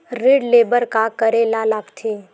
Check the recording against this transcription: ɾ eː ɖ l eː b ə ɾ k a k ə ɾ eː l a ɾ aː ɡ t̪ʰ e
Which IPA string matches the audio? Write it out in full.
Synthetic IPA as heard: ɾ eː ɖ l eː b ə ɾ k a k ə ɾ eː l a l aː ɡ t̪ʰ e